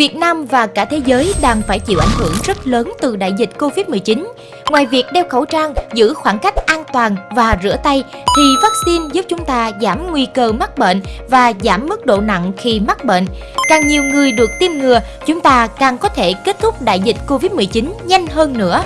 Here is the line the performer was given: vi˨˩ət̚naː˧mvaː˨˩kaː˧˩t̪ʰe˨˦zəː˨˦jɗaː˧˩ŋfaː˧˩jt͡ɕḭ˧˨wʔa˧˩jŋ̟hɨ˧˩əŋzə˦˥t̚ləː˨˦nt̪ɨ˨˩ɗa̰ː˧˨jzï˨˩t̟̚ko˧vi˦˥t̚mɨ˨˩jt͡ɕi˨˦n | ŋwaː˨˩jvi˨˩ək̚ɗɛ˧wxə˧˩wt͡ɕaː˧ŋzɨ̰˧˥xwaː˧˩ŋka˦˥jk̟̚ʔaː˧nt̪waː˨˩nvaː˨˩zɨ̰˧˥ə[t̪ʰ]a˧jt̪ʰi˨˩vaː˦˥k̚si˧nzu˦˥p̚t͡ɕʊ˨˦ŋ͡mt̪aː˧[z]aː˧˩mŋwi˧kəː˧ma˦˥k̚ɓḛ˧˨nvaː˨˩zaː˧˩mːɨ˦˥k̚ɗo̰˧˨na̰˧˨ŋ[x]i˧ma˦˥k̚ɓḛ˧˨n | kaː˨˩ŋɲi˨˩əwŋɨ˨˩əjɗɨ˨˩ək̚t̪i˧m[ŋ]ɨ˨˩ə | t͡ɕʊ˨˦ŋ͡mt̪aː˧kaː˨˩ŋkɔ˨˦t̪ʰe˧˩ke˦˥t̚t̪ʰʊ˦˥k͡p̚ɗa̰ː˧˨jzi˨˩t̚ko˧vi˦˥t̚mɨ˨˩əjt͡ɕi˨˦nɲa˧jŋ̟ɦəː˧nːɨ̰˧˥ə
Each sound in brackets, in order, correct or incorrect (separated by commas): incorrect, correct, correct, correct